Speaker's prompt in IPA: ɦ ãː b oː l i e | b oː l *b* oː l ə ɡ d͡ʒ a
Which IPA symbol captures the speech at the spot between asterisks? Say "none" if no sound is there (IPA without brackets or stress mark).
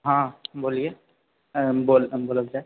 b